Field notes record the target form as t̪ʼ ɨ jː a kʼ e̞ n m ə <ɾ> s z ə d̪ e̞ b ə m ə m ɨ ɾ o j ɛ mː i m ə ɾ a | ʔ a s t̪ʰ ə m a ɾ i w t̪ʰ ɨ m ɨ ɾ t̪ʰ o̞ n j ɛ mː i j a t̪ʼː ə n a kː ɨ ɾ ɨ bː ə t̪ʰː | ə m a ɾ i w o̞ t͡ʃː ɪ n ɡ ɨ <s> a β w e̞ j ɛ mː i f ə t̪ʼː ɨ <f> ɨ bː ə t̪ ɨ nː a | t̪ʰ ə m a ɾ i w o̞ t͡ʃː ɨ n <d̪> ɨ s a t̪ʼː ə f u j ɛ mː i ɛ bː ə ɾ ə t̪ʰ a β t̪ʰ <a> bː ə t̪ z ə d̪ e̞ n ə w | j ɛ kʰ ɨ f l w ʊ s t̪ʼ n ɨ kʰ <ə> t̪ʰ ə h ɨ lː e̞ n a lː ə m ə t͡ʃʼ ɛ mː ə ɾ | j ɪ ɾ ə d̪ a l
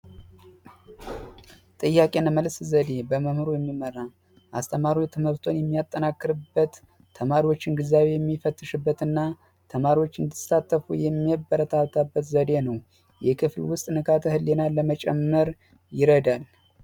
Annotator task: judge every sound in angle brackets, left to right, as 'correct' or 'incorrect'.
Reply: incorrect, incorrect, incorrect, correct, correct, incorrect

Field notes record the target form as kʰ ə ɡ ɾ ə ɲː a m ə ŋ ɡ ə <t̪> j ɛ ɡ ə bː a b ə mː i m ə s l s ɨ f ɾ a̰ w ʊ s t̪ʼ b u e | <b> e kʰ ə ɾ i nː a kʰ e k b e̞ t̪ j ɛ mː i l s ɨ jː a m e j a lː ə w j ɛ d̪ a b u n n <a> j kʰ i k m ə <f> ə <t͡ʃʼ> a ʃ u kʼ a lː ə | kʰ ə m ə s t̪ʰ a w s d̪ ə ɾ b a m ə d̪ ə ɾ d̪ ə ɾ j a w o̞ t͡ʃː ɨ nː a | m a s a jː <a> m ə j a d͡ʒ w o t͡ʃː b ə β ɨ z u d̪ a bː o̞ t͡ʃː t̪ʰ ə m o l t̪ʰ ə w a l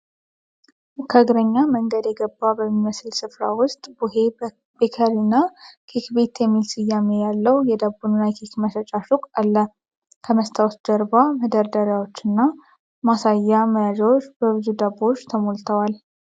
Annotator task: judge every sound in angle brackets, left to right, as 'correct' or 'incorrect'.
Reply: incorrect, correct, correct, incorrect, correct, correct

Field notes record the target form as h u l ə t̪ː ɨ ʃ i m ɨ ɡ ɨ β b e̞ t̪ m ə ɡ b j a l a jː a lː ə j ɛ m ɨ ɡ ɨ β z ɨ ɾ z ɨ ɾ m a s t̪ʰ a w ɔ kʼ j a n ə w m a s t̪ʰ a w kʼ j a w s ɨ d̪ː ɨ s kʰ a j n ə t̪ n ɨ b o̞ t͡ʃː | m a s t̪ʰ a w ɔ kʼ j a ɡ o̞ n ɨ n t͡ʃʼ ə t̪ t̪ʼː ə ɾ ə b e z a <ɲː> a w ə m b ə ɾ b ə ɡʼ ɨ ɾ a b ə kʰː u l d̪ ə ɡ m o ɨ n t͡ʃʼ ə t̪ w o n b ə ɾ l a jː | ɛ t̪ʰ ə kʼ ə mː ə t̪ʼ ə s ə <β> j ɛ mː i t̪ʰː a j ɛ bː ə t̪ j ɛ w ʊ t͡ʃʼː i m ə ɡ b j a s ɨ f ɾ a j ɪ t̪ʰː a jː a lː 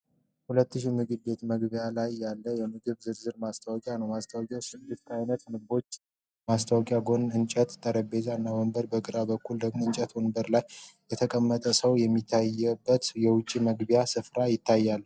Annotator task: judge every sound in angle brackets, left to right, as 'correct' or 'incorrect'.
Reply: incorrect, incorrect

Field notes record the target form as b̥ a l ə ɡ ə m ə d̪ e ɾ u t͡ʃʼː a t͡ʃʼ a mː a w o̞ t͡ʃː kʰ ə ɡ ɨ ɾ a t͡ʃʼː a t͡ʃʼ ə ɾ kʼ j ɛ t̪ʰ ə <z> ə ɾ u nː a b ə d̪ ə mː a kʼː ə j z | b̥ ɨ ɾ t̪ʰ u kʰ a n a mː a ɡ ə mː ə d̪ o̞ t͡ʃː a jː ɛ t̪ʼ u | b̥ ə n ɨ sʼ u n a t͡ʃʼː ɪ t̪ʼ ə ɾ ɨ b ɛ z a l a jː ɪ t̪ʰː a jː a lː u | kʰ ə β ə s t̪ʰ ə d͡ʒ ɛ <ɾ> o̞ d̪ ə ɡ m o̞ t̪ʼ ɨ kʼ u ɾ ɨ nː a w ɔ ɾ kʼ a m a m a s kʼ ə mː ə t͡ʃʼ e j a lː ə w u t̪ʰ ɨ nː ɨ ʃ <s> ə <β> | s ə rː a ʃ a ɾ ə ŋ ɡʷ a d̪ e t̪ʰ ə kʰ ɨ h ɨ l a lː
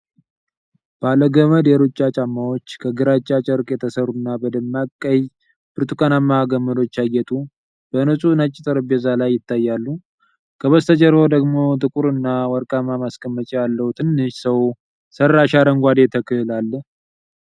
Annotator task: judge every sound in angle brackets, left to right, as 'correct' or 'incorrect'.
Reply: incorrect, correct, correct, incorrect

